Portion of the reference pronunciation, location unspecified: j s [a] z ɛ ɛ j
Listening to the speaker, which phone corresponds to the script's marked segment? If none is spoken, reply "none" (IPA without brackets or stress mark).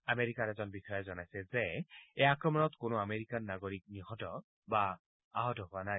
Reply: ɛ